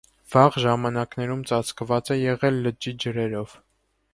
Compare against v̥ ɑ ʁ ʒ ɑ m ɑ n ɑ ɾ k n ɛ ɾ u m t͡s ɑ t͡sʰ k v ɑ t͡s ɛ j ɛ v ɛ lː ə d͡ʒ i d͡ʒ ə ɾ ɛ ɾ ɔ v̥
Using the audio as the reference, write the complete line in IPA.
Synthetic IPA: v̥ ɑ ʁ ʒ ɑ m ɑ n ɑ k n ɛ ɾ u m t͡s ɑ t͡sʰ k v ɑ t͡s ɛ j ɛ ʁ ɛ lː ə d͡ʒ i d͡ʒ ə ɾ ɛ ɾ ɔ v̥